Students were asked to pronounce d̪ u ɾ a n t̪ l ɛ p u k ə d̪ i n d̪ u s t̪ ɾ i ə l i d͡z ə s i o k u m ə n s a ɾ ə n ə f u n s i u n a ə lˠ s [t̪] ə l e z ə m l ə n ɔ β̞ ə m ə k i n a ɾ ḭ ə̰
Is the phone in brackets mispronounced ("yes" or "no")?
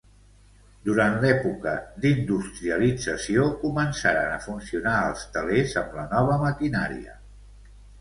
no